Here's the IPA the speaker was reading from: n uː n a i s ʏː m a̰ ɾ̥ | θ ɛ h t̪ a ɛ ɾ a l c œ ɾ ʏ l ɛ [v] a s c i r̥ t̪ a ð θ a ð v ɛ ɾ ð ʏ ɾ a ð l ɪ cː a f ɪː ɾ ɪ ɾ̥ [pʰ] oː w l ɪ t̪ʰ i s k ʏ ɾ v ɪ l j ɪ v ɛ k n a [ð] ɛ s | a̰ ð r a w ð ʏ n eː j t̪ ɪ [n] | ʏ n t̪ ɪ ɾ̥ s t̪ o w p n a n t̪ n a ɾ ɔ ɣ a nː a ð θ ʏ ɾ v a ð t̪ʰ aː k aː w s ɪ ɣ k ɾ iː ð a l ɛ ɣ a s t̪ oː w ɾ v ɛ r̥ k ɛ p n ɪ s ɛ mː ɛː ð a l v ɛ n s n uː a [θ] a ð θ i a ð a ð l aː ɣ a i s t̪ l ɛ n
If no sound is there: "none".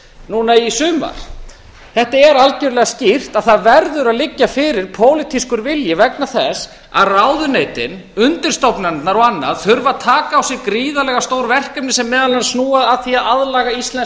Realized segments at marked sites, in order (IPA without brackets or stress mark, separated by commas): ɣ, pʰ, θ, n, ð